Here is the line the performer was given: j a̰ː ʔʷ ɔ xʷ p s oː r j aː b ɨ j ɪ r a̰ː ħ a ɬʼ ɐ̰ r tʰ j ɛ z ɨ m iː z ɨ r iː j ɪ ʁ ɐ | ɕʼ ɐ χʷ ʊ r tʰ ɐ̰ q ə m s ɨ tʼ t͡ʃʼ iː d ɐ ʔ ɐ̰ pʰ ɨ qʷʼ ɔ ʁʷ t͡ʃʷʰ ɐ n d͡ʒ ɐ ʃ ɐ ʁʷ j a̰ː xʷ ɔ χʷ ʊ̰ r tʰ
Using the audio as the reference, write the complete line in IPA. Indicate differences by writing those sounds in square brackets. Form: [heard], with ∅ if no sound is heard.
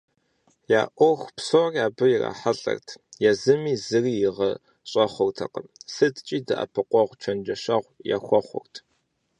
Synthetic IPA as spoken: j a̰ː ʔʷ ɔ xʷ p s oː r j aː b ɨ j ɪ r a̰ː ħ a ɬʼ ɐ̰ r tʰ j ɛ z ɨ m iː z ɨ r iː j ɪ ʁ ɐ | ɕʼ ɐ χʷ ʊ r tʰ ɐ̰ q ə m s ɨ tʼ t͡ʃʼ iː d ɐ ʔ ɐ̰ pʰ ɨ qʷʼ ɔ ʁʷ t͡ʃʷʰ ɐ n d͡ʒ ɐ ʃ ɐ ʁʷ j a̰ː xʷ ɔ χʷ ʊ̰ r tʰ